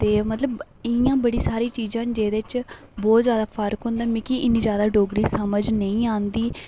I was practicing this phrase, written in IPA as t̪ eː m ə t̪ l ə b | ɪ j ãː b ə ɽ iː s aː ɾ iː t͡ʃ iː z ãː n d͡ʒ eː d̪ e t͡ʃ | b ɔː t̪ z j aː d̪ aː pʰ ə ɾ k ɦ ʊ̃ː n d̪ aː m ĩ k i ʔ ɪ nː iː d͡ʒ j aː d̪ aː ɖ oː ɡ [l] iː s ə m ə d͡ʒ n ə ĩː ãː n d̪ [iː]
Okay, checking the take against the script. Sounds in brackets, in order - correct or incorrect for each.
incorrect: ɾ, correct

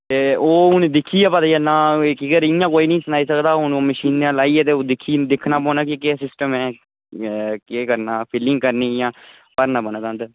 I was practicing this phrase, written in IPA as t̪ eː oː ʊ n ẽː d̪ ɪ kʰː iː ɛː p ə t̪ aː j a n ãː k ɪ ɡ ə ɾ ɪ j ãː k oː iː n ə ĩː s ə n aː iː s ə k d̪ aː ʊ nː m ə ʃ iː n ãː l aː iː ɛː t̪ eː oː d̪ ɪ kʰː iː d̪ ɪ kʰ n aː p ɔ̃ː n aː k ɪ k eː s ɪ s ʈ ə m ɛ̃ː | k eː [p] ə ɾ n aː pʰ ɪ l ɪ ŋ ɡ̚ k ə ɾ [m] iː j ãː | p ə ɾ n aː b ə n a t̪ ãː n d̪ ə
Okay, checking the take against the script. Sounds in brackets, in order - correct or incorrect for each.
incorrect: k, incorrect: n

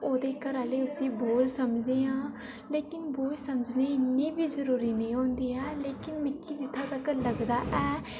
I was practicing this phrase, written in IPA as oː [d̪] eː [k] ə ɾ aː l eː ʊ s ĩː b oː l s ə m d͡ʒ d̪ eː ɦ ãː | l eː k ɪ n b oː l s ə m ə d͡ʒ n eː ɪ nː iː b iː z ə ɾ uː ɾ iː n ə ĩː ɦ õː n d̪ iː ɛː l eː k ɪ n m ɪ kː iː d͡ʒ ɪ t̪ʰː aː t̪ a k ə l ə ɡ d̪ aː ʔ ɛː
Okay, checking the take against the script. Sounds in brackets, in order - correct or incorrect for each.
correct, correct

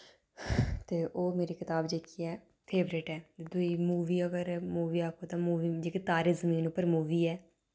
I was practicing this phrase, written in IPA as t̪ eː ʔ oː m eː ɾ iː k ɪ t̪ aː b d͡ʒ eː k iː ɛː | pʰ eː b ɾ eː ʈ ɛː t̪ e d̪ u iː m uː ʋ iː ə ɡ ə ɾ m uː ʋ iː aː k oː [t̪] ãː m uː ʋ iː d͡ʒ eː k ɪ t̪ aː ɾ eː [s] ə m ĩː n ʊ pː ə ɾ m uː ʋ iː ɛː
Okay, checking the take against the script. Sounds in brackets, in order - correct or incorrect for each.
correct, incorrect: z

